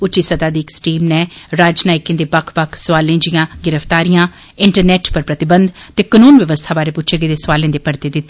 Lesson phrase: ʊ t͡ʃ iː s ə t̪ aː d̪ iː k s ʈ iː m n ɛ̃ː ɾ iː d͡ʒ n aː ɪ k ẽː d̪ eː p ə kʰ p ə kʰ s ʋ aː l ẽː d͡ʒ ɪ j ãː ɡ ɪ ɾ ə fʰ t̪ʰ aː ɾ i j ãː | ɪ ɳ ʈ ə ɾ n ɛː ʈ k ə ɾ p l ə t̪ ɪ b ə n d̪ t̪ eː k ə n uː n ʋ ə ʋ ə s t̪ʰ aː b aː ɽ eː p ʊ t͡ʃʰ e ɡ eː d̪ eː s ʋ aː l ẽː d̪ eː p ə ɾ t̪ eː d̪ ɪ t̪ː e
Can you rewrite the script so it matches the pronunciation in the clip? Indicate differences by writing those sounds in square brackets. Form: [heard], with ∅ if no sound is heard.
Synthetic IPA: ʊ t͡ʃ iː s ə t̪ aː d̪ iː k s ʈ iː m n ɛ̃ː ɾ [aː] d͡ʒ n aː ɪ k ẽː d̪ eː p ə kʰ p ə kʰ s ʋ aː l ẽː d͡ʒ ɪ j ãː ɡ ɪ ɾ ə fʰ [t̪] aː ɾ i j ãː | ɪ ɳ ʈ ə ɾ n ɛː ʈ [p] ə ɾ p [ɾ] ə t̪ ɪ b ə n d̪ t̪ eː k ə n uː n ʋ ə ʋ ə s t̪ʰ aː b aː [ɾ] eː p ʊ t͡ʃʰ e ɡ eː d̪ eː s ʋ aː l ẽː d̪ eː p ə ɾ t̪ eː d̪ ɪ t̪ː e

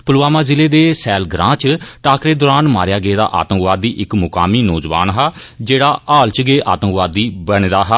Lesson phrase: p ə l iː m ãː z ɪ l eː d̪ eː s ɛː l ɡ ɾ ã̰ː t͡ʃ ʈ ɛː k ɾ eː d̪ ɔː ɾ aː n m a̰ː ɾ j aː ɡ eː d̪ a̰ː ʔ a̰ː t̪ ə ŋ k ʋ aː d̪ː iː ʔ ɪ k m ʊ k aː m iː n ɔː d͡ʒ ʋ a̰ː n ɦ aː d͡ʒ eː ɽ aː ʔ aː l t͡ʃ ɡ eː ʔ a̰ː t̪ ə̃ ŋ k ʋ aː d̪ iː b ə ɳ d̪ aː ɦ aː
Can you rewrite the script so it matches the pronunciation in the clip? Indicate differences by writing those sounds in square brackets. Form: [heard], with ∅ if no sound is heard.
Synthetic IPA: p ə l [aː] m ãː z ɪ l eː d̪ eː s ɛː l ɡ ɾ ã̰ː t͡ʃ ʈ [aː] k ɾ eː d̪ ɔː ɾ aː n m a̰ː ɾ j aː ɡ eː d̪ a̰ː ʔ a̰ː t̪ ə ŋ k ʋ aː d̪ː iː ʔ ɪ k m ʊ k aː m iː n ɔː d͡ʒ ʋ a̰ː n ɦ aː d͡ʒ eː ɽ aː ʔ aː l t͡ʃ ɡ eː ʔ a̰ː t̪ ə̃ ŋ k ʋ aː d̪ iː b ə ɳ d̪ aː ɦ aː

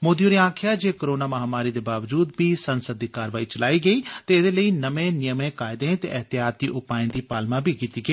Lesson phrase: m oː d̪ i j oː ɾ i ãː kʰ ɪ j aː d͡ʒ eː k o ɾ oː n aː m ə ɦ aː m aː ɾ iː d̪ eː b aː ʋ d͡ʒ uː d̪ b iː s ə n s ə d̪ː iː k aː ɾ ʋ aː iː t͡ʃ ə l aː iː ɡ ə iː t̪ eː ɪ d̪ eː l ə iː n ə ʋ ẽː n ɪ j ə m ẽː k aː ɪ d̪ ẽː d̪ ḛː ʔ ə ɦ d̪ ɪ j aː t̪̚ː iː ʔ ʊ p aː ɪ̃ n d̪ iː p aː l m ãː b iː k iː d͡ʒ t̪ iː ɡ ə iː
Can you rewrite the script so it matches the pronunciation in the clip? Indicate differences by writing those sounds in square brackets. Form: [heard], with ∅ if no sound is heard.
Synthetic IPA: m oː d̪ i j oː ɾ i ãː kʰ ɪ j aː d͡ʒ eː k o ɾ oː n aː m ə ɦ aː m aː ɾ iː d̪ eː b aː ʋ d͡ʒ uː d̪ b iː s ə n s ə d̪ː iː k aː ɾ ʋ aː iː t͡ʃ ə l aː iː ɡ ə iː t̪ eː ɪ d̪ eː l ə iː n ə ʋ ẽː n ɪ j ə m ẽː k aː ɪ d̪ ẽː [t̪] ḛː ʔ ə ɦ [t̪] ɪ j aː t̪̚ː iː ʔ ʊ p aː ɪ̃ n d̪ iː p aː l m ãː b iː k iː [∅] t̪ iː ɡ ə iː

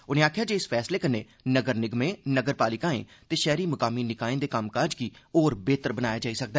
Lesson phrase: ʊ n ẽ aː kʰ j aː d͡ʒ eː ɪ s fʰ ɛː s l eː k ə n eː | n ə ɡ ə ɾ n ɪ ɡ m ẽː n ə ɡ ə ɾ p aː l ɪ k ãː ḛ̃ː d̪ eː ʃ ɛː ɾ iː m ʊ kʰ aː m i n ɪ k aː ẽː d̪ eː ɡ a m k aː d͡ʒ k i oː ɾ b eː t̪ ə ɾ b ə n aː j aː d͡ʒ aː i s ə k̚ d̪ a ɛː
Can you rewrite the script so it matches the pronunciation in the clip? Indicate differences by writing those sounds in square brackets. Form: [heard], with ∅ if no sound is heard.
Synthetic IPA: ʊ n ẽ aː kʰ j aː d͡ʒ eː ɪ s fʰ ɛː s l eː k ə n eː | n ə ɡ ə ɾ n ɪ ɡ m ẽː n ə ɡ ə ɾ p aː l ɪ k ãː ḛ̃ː [t̪] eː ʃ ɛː ɾ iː m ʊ [k] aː m i n ɪ k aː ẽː d̪ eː [k] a m k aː d͡ʒ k i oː ɾ b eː t̪ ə ɾ b ə n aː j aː d͡ʒ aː i s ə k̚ d̪ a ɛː

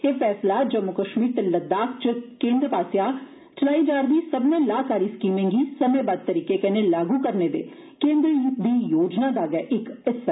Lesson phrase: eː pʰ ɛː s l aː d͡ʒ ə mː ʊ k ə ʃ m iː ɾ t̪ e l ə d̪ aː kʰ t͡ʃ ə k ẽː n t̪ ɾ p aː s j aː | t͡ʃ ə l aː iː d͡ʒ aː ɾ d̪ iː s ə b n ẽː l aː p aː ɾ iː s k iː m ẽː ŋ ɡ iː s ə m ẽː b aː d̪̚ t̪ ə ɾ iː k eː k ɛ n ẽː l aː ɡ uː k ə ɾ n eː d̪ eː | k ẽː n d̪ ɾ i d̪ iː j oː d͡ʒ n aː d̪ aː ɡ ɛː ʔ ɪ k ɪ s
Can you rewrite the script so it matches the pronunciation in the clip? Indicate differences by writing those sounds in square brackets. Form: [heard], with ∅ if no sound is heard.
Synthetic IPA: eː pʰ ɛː s l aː d͡ʒ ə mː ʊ k ə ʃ m iː ɾ t̪ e l ə d̪ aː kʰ t͡ʃ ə k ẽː n [d̪] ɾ p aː s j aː | t͡ʃ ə l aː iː d͡ʒ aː ɾ d̪ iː s ə b n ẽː l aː [k] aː ɾ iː s k iː m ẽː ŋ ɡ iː s ə m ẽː b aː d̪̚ t̪ ə ɾ iː k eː k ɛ n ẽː l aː ɡ uː k ə ɾ n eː d̪ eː | k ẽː n d̪ ɾ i d̪ iː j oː d͡ʒ n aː d̪ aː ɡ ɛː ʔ ɪ k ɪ s

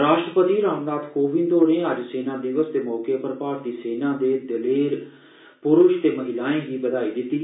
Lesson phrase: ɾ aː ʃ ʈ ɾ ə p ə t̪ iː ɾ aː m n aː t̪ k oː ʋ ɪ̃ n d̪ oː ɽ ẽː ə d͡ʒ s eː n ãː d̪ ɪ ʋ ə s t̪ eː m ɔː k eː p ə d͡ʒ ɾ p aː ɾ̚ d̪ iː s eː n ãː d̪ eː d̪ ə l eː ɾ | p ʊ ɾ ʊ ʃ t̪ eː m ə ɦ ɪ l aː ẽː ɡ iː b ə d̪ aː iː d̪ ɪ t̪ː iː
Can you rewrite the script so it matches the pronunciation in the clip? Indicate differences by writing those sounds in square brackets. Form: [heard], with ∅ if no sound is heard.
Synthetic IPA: ɾ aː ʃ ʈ ɾ ə p ə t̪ iː ɾ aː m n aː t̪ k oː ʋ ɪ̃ n d̪ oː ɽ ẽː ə d͡ʒ s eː n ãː d̪ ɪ ʋ ə s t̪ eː m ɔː k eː p ə [∅] ɾ p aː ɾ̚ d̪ iː s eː n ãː d̪ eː d̪ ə l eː ɾ | p ʊ ɾ ʊ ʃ t̪ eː m ə ɦ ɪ l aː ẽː ɡ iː b ə d̪ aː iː d̪ ɪ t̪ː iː

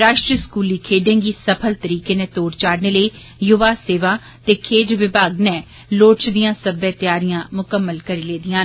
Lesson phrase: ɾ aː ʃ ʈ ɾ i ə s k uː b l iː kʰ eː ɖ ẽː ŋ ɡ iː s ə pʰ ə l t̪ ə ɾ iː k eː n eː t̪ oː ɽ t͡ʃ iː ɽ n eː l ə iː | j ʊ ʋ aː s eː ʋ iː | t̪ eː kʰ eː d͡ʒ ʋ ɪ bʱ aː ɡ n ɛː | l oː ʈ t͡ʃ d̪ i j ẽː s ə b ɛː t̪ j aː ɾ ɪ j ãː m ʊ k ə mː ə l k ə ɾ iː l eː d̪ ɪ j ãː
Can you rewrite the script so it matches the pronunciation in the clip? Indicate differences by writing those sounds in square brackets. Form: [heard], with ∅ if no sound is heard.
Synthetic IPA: ɾ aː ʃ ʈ ɾ i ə s k uː [∅] l iː kʰ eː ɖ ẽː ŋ ɡ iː s ə pʰ ə l t̪ ə ɾ iː k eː n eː t̪ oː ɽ t͡ʃ [aː] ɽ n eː l ə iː | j ʊ ʋ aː s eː ʋ [aː] | t̪ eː kʰ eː d͡ʒ ʋ ɪ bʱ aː ɡ n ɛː | l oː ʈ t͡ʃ d̪ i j [ãː] s ə b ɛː t̪ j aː ɾ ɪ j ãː m ʊ k ə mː ə l k ə ɾ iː l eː d̪ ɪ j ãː

